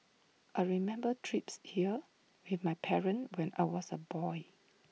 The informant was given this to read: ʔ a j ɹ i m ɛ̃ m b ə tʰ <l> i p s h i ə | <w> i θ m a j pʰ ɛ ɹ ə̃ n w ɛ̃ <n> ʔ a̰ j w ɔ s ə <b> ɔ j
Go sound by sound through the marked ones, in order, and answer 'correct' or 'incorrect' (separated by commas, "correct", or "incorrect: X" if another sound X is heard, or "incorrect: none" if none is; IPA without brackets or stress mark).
incorrect: ɹ, correct, correct, correct